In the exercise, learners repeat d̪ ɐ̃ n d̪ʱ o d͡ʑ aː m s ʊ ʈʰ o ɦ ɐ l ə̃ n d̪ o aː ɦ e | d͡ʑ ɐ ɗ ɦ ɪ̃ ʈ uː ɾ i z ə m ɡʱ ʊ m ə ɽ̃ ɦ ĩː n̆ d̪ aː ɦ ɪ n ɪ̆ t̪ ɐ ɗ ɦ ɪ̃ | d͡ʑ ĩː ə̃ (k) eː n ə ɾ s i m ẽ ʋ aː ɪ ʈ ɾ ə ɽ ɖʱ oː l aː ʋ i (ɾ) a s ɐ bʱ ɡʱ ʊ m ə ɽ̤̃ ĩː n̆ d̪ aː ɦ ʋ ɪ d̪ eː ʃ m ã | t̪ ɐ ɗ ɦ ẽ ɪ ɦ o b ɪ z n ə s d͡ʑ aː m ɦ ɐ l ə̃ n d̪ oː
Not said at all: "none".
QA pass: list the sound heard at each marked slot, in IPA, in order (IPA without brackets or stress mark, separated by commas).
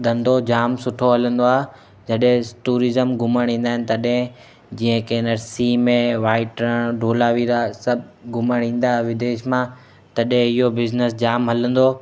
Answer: k, ɾ